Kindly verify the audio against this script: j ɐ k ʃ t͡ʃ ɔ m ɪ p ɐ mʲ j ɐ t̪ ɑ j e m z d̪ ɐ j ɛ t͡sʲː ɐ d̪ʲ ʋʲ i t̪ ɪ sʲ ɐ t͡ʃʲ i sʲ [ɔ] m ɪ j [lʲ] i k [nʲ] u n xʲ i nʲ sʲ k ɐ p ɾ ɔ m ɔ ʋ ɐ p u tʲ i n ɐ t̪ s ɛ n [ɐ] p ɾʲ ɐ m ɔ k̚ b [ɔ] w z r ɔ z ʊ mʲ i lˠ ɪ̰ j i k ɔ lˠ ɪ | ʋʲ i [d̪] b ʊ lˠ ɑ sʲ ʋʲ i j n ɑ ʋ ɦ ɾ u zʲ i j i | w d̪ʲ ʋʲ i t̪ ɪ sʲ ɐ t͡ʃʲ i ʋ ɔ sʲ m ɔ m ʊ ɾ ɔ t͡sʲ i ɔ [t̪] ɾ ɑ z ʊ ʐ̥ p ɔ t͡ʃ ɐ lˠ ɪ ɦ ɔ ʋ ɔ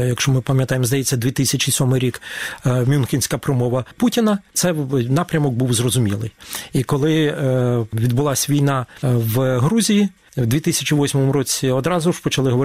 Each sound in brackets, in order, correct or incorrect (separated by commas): correct, incorrect, incorrect, incorrect, incorrect, correct, incorrect